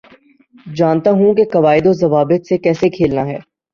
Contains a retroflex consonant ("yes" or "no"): no